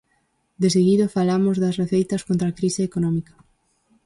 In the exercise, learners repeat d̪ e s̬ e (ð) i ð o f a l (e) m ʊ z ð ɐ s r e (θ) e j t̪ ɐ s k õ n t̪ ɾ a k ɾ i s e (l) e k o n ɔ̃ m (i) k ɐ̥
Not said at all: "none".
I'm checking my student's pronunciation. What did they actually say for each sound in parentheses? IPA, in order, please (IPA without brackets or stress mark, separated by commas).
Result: ɣ, a, θ, none, i